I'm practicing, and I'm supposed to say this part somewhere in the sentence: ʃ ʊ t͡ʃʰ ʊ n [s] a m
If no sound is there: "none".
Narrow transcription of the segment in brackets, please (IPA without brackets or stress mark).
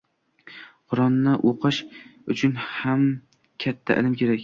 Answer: h